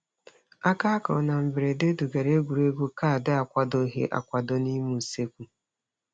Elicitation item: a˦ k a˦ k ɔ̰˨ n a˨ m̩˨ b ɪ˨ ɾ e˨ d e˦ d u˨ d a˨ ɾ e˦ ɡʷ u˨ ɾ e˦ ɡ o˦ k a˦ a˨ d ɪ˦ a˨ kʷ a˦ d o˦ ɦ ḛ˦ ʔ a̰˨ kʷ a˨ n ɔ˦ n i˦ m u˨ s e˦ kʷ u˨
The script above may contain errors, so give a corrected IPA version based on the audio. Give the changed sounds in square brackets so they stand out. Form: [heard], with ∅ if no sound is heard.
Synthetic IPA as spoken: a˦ k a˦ k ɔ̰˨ n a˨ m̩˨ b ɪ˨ ɾ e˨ d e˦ d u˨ [ɡ] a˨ ɾ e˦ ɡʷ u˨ ɾ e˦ ɡ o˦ k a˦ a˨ d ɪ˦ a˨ kʷ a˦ d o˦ ɦ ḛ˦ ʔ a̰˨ kʷ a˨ [d] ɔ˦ n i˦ m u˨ s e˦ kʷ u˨